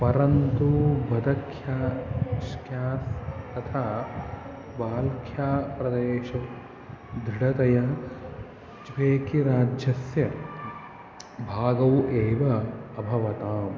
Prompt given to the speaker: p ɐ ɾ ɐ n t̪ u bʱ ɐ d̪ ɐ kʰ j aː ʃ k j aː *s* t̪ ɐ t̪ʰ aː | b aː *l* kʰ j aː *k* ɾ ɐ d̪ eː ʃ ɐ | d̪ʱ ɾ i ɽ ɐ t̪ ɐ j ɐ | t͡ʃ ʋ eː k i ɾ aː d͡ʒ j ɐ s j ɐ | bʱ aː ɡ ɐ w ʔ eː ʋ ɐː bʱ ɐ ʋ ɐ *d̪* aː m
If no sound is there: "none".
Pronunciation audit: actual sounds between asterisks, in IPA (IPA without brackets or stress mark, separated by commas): s, l, p, t̪